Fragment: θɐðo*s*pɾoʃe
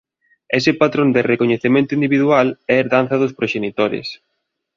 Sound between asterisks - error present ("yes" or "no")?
no